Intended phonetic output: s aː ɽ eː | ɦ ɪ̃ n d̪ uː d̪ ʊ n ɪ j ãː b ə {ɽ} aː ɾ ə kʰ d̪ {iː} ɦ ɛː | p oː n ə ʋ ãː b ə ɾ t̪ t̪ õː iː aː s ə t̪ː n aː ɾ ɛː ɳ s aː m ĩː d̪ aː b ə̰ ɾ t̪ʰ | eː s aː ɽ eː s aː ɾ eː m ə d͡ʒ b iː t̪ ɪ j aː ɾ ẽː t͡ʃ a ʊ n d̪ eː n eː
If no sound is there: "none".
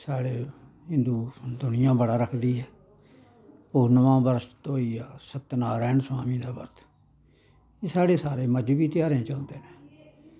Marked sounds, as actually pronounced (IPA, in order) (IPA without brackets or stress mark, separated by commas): ɽ, iː